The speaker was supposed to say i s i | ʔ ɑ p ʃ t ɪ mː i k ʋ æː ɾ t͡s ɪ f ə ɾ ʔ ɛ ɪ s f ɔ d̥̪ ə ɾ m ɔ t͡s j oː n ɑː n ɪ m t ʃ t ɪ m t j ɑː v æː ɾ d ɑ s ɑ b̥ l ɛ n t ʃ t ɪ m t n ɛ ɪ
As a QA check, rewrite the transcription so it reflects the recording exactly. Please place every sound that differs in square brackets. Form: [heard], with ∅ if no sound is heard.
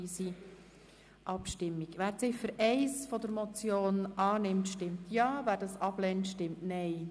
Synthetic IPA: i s i | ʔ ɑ p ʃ t ɪ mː i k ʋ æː ɾ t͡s ɪ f ə ɾ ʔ ɛ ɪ s f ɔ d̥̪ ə ɾ m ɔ t͡s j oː n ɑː n ɪ m t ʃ t ɪ m t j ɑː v æː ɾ d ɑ s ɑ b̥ l ɛ n t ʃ t ɪ m t n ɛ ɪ